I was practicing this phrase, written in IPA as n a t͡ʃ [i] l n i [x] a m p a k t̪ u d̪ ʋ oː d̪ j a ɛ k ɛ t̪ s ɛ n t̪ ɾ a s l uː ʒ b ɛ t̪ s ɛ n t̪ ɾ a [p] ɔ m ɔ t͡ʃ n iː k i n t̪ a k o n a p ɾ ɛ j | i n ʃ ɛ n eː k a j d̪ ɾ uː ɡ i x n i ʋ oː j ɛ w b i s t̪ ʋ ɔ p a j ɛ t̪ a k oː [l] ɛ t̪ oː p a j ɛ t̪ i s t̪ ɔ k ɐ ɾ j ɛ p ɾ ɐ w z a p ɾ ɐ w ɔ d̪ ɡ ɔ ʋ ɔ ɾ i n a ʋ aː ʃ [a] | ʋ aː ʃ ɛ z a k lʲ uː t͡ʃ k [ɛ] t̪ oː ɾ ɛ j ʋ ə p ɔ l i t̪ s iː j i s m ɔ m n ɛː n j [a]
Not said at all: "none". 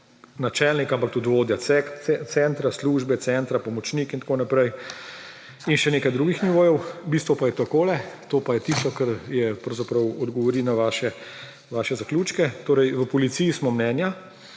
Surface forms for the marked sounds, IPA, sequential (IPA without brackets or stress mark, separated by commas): ɛ, k, p, l, ɛ, ɛ, a